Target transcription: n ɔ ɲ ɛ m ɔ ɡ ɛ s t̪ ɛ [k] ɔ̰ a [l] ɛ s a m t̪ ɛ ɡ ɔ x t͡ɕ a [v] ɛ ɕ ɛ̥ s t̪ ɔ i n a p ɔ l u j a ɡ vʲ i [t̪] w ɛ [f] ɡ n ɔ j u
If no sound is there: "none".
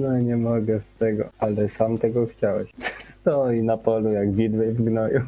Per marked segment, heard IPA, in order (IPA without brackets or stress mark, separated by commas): ɡ, l, w, d̪, v